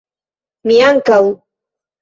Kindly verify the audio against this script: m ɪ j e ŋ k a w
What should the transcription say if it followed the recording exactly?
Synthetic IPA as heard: m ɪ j a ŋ k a w